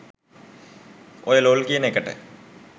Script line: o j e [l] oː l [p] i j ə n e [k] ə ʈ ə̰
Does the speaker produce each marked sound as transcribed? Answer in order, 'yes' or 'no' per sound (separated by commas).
yes, no, yes